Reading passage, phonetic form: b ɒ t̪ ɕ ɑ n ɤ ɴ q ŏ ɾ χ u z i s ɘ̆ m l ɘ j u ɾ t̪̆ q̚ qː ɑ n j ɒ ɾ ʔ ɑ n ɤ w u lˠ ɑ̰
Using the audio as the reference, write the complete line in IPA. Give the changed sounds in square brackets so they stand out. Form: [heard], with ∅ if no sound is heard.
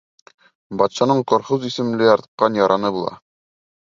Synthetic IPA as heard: b ɒ t̪ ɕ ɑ n ɤ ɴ q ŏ ɾ χ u z i s ɘ̆ m l ɘ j [ɒ] ɾ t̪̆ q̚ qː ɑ n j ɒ ɾ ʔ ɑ n ɤ [b] u lˠ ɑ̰